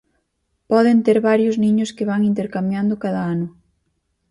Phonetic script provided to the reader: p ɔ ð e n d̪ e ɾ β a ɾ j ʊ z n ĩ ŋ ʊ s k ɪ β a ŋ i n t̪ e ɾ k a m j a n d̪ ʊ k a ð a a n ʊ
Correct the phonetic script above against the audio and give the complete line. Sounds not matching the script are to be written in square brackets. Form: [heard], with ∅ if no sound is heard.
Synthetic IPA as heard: p ɔ ð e n [t̪] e ɾ β a ɾ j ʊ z n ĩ [ɲ] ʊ s k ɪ β a ŋ i n t̪ e ɾ k a m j a n d̪ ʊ k a ð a a n ʊ